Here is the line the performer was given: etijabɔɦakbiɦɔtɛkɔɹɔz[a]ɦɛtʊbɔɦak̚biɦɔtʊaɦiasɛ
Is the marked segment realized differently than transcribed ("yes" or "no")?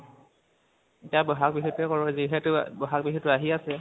yes